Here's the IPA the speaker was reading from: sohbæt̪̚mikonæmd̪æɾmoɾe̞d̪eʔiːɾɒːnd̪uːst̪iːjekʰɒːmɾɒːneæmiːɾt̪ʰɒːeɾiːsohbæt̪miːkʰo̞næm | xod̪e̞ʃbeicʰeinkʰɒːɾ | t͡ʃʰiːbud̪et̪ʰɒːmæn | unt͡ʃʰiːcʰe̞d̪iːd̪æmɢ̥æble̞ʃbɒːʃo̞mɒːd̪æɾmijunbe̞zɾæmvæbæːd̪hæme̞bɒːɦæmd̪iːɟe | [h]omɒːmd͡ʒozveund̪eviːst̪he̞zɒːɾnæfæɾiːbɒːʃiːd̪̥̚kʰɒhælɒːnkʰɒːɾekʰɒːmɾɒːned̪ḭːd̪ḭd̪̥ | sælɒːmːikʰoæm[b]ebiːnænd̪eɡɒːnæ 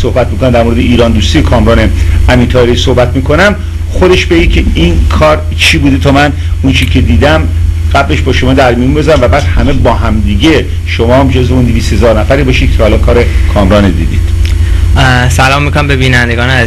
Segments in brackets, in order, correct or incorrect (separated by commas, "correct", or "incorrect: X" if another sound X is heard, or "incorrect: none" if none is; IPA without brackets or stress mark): incorrect: ʃ, correct